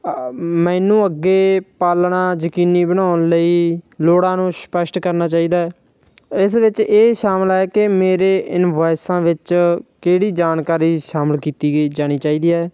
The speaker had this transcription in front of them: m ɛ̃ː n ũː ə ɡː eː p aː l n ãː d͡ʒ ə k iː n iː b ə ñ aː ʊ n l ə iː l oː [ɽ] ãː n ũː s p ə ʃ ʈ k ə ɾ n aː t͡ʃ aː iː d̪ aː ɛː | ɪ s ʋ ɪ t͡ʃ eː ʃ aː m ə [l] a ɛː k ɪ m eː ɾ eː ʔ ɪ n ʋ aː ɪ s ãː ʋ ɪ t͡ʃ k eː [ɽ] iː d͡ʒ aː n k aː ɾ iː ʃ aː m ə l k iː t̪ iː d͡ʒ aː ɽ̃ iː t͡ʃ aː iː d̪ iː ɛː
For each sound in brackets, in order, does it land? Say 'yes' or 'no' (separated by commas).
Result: yes, yes, yes